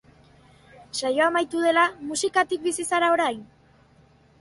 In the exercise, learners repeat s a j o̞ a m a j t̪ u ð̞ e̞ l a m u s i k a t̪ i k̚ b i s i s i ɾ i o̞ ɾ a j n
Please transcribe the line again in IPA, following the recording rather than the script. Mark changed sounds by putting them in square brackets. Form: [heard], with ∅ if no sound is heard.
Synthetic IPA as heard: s a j o̞ a m a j t̪ u ð̞ e̞ l a m u s i k a t̪ i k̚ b i s i s [a] ɾ [a] o̞ ɾ a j n